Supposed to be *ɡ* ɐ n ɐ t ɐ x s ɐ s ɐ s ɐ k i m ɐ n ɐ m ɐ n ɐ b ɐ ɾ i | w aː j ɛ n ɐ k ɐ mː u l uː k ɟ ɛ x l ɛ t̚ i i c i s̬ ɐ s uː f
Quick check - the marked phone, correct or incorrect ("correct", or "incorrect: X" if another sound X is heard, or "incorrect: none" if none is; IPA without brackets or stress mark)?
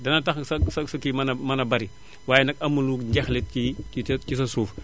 incorrect: d